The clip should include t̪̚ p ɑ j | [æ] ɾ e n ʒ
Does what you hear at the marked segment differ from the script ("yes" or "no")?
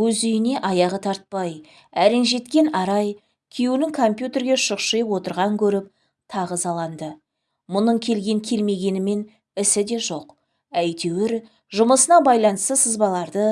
no